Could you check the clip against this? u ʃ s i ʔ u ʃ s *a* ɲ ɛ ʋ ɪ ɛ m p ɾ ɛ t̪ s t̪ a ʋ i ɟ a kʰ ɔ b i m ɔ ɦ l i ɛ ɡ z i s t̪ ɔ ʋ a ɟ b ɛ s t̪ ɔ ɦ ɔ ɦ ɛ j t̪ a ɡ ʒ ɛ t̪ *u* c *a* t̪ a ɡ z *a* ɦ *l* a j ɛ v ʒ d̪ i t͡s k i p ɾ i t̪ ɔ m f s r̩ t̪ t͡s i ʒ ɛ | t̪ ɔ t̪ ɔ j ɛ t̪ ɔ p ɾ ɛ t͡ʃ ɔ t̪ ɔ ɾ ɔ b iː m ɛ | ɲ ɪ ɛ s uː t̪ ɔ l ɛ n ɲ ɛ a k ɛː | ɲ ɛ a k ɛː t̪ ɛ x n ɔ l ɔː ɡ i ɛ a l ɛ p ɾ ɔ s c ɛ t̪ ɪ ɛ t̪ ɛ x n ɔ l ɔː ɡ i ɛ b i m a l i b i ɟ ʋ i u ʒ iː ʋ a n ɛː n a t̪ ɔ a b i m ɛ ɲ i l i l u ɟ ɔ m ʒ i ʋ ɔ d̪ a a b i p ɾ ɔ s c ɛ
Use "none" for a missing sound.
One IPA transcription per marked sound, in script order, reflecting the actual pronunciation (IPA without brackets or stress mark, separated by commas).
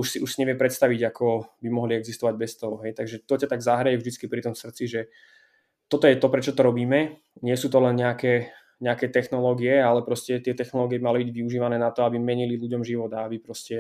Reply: i, ɔ, a, a, ɾ